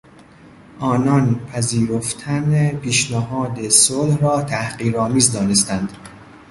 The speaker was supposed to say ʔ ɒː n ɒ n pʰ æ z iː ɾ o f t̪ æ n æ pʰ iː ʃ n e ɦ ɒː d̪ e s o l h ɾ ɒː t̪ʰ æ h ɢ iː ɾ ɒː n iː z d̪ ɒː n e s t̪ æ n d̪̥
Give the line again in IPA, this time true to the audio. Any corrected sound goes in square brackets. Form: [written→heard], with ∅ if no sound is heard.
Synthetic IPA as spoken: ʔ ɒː n ɒ n pʰ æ z iː ɾ o f [t̪→t̪ʰ] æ n [æ→e] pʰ iː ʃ n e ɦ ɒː d̪ e s o l h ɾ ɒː t̪ʰ æ h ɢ iː ɾ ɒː [n→m] iː z d̪ ɒː n e s t̪ æ n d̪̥